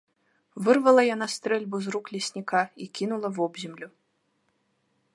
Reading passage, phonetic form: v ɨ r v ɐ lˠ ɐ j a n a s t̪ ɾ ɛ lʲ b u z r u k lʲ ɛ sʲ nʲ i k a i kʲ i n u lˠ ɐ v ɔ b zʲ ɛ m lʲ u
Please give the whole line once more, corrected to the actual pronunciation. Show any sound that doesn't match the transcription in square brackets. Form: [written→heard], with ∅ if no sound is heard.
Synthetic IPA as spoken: v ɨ r v ɐ lˠ ɐ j a n a s t̪ ɾ ɛ lʲ b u z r u k lʲ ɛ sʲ nʲ i k a i kʲ i n u lˠ ɐ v ɔ b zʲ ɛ m lʲ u